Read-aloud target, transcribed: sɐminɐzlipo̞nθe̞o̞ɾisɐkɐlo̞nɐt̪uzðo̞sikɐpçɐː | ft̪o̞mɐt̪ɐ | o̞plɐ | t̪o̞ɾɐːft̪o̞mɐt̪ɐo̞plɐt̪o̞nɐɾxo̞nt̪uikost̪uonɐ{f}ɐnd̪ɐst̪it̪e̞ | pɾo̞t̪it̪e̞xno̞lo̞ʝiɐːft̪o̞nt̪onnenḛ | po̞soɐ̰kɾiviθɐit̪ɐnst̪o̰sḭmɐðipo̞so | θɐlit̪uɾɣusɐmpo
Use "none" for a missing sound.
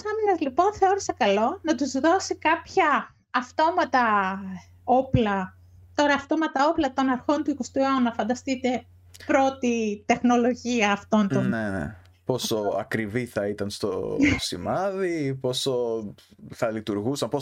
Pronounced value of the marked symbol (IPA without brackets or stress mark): f